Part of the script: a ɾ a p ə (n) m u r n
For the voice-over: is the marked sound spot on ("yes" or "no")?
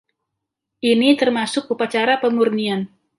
no